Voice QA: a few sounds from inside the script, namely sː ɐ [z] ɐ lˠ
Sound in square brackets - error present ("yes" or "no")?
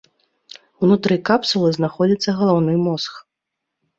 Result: yes